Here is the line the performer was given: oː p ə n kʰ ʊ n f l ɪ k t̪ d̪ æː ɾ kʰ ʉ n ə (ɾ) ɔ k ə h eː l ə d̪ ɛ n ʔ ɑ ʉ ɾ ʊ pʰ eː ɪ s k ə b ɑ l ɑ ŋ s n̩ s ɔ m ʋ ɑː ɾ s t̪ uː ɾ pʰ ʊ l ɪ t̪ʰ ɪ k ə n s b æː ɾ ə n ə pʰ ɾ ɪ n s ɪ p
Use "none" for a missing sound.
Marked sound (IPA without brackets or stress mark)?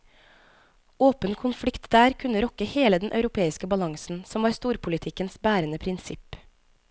ɾ